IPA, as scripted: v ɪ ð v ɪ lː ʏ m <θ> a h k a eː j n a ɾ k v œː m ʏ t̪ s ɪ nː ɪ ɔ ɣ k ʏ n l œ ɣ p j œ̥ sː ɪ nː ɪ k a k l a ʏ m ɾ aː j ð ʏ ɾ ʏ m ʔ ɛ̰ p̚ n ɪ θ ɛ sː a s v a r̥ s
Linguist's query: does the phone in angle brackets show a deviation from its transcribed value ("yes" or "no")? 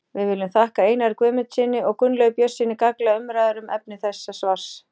no